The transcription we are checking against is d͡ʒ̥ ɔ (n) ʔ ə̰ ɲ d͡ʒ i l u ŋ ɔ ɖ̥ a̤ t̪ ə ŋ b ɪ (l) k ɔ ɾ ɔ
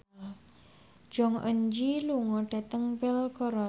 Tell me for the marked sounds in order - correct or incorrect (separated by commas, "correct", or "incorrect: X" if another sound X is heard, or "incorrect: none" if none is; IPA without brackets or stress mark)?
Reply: incorrect: ŋ, correct